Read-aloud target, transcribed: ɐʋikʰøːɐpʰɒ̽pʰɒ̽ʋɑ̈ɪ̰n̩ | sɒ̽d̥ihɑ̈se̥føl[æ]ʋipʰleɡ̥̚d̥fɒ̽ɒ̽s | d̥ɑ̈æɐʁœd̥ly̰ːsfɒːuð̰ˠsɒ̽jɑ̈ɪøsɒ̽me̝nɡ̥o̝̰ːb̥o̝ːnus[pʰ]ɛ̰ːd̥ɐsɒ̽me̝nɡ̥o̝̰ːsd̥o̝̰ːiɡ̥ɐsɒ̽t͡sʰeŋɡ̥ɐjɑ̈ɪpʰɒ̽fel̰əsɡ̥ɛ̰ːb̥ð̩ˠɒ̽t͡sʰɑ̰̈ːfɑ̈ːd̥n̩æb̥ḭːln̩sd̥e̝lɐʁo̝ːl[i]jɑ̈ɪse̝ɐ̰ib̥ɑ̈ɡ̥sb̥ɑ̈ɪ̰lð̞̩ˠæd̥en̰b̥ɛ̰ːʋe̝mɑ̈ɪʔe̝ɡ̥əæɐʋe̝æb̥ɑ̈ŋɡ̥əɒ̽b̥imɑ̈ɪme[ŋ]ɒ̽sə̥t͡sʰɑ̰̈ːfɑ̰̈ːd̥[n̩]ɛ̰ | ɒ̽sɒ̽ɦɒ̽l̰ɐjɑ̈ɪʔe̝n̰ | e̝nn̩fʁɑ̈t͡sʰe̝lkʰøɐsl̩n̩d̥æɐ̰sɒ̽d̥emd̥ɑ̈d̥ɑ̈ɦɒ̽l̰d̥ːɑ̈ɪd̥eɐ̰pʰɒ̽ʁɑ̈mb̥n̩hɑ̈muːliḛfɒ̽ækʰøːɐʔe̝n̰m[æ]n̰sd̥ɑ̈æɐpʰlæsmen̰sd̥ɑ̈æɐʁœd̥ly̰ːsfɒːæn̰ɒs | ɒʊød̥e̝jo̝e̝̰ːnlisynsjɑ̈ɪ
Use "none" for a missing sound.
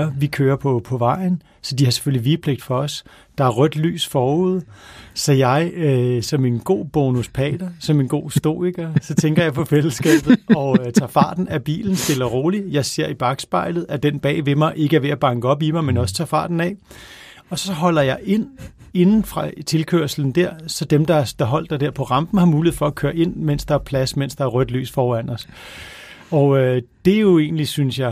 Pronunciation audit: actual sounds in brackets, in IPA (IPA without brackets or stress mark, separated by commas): i, pʰ, i, n, n̩, e